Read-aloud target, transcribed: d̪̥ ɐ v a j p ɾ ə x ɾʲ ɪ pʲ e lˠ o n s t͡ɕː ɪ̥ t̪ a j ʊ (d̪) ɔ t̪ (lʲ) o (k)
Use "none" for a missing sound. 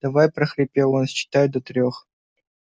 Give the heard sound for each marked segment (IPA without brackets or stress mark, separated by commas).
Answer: d̪, ɾʲ, x